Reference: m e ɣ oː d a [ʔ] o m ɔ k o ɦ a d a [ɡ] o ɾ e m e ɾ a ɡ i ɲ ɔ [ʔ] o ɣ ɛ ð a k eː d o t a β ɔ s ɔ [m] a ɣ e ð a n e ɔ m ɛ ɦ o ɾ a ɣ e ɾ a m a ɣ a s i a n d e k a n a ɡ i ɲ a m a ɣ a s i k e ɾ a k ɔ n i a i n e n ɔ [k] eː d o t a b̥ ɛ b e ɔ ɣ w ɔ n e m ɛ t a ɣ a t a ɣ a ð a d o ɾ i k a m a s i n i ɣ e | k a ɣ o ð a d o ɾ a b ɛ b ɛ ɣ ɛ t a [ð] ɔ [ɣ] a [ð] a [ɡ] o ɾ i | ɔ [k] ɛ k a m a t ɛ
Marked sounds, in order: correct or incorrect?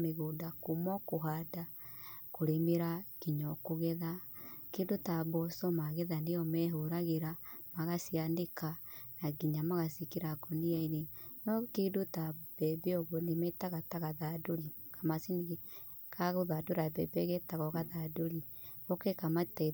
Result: incorrect: k, incorrect: k, incorrect: k, correct, correct, incorrect: ɣ, correct, correct, incorrect: d, correct

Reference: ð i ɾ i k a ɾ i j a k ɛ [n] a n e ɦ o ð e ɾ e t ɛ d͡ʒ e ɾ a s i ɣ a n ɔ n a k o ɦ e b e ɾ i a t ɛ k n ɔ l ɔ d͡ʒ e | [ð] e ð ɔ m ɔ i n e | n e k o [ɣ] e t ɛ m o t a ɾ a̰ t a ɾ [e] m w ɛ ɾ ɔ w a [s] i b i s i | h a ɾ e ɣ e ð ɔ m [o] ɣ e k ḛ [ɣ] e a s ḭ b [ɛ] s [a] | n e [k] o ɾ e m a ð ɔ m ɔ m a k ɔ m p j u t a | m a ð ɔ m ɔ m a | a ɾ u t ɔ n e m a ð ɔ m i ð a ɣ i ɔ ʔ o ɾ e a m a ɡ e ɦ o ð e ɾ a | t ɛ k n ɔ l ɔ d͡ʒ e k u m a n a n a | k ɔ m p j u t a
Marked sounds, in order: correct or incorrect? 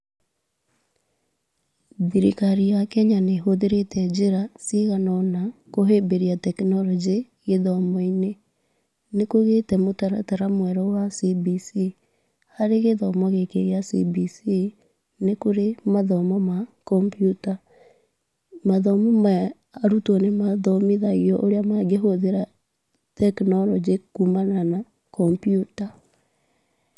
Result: incorrect: ɲ, incorrect: ɣ, correct, incorrect: a, correct, incorrect: ɔ, correct, incorrect: i, incorrect: i, correct

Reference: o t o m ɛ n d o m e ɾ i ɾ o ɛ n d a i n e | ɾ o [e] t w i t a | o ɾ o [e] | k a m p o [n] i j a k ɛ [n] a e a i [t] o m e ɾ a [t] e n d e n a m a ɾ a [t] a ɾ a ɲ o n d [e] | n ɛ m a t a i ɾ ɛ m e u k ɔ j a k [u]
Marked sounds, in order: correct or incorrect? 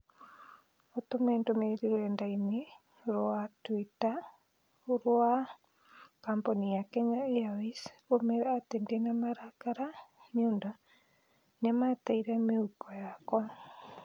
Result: incorrect: a, incorrect: a, correct, incorrect: ɲ, incorrect: s, correct, incorrect: k, incorrect: a, incorrect: ɔ

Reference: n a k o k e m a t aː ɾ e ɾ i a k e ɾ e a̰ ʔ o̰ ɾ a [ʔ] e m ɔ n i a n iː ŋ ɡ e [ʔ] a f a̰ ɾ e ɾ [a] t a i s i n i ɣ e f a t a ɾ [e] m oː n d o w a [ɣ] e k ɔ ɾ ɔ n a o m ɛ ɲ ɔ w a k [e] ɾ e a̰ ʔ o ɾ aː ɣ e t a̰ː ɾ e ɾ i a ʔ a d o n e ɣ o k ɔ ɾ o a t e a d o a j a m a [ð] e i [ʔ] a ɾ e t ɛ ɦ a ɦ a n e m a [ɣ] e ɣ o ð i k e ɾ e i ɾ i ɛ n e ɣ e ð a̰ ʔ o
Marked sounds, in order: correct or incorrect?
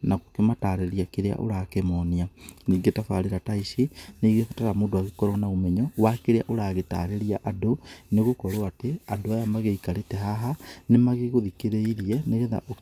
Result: incorrect: k, incorrect: t, correct, incorrect: a, correct, correct, incorrect: ɣ, incorrect: k, correct

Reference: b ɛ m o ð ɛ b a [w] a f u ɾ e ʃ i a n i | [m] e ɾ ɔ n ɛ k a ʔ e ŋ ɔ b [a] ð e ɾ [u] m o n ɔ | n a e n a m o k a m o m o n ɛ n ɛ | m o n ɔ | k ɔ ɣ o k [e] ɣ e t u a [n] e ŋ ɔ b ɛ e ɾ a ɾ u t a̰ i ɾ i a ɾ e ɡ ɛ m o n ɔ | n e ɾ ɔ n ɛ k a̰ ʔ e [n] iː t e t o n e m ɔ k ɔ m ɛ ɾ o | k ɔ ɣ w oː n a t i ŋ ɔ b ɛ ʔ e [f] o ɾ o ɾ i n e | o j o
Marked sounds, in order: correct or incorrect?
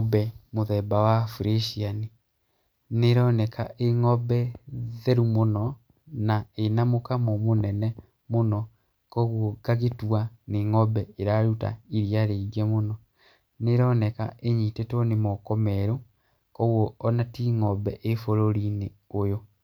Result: correct, incorrect: n, incorrect: ɛ, correct, incorrect: a, correct, incorrect: ɲ, correct

